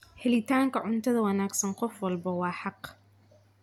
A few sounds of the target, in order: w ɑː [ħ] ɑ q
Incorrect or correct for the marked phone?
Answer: correct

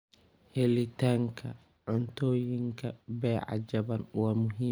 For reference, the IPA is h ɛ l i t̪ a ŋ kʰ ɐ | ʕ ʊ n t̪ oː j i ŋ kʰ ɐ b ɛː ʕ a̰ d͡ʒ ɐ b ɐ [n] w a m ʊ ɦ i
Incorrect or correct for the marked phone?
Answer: correct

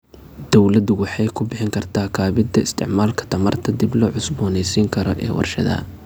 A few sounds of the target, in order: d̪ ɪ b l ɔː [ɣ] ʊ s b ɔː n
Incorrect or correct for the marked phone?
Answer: incorrect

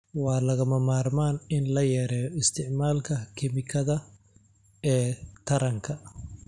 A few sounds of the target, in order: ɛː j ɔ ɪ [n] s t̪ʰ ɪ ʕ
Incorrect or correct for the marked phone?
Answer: incorrect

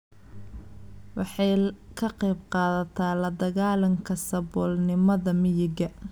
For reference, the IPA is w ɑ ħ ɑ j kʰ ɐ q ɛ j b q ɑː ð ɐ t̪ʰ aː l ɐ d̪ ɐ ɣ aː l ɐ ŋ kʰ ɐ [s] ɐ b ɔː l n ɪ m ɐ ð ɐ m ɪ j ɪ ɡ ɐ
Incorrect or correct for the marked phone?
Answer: correct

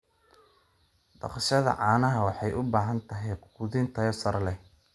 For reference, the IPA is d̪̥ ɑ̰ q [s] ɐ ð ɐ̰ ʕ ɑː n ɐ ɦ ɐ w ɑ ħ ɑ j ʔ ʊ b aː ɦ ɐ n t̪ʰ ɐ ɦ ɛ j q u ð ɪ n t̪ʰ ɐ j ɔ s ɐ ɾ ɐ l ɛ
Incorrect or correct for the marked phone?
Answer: incorrect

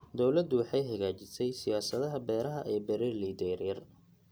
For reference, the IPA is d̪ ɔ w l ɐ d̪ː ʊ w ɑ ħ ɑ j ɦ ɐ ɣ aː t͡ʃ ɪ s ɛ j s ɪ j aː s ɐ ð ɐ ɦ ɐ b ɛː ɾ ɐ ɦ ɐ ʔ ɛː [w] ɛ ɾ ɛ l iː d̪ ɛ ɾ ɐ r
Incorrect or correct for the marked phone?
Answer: incorrect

